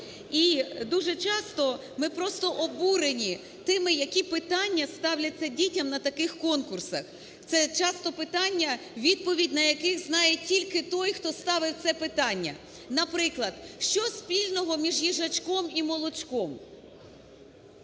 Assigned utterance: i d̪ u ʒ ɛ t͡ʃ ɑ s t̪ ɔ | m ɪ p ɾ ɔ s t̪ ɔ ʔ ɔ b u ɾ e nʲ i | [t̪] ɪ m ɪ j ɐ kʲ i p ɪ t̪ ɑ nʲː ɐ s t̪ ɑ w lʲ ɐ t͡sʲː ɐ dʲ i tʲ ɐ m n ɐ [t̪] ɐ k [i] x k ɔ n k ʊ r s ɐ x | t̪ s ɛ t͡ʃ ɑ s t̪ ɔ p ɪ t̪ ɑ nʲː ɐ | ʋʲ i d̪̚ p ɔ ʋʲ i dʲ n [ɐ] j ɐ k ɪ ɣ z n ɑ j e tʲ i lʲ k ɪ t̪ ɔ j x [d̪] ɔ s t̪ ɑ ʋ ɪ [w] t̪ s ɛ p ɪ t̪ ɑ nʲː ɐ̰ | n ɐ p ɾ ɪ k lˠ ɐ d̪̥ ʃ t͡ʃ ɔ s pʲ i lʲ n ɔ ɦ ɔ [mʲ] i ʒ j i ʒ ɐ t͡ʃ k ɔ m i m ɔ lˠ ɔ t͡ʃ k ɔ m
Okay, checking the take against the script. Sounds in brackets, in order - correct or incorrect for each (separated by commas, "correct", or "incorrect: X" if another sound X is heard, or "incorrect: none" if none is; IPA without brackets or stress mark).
correct, correct, incorrect: ɪ, correct, incorrect: t̪, correct, correct